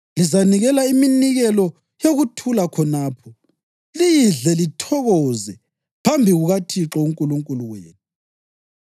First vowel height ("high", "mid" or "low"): high